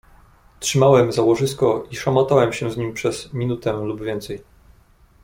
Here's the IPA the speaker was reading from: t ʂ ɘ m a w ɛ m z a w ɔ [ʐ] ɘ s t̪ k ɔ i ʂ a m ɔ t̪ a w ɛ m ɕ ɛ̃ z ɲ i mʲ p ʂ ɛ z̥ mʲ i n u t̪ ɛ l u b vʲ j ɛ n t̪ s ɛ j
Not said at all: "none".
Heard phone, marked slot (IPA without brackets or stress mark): ʐ